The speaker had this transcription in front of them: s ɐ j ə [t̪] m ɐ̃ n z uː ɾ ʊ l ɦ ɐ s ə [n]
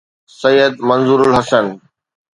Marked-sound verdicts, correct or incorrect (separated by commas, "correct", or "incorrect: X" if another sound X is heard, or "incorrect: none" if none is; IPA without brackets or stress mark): incorrect: d̪, correct